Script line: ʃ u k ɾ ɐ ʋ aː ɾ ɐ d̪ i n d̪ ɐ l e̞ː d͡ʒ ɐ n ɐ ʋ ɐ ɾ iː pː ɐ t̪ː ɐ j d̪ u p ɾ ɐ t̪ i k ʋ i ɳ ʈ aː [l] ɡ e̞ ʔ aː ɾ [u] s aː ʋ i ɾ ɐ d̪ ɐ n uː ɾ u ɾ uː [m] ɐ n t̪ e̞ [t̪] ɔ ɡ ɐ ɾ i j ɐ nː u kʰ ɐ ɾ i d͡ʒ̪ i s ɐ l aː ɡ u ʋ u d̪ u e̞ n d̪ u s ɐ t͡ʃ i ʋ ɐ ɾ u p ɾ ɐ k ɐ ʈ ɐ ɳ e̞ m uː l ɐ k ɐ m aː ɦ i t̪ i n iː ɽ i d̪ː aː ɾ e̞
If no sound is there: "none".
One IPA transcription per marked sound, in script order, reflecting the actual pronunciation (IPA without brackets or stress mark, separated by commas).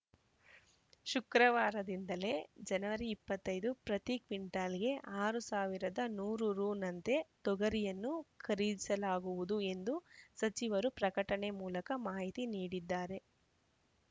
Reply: l, u, n, t̪